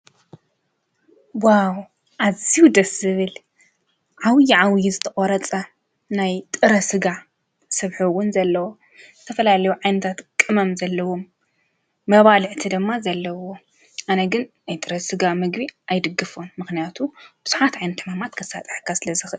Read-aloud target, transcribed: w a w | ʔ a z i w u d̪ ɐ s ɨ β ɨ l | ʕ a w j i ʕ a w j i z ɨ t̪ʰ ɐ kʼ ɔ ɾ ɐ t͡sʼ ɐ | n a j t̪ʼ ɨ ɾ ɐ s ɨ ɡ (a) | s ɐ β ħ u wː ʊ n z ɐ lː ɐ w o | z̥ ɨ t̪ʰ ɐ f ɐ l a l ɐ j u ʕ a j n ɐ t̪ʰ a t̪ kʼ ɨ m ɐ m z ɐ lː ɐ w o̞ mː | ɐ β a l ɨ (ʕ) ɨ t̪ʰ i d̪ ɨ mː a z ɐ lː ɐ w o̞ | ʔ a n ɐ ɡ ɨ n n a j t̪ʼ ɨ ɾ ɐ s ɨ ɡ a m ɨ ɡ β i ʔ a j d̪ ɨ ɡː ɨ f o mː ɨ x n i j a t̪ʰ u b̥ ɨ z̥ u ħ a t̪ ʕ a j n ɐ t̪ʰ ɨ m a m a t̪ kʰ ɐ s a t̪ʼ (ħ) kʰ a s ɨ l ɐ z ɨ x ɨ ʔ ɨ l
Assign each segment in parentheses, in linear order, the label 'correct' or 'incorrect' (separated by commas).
correct, correct, correct